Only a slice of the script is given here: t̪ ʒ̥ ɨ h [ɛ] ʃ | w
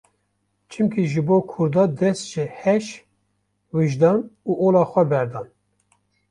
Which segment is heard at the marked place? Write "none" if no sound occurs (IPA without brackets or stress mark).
ɛ